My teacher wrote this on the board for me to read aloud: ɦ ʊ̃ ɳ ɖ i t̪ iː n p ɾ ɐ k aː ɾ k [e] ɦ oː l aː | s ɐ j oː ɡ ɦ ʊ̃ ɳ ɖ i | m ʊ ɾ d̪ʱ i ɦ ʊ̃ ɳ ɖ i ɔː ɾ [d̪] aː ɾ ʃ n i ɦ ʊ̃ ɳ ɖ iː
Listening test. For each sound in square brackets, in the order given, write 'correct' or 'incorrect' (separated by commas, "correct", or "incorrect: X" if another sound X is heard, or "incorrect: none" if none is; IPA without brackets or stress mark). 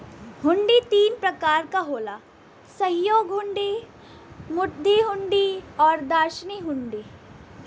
incorrect: a, correct